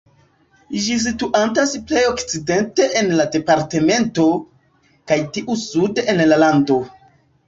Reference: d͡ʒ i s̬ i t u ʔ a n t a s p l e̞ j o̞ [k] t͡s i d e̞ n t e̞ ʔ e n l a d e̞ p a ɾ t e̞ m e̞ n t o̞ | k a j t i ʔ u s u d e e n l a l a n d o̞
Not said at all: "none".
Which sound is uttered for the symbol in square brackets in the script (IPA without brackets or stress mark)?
k